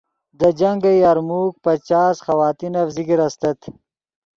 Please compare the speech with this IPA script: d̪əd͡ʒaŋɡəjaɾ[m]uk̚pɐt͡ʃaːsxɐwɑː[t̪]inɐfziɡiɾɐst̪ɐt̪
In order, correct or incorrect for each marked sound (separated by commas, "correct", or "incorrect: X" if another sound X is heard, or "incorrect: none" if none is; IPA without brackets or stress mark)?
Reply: correct, correct